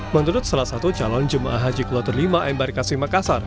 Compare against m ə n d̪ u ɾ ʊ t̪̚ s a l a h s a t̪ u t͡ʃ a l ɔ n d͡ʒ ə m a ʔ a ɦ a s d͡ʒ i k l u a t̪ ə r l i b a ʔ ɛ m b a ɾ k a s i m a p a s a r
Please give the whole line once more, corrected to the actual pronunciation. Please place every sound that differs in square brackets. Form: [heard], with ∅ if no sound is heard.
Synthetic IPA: m ə n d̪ u ɾ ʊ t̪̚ s a l a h s a t̪ u t͡ʃ a l ɔ n d͡ʒ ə m a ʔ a ɦ a [∅] d͡ʒ i k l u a t̪ ə r l i [m] a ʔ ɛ m b a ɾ k a s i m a [k] a s a r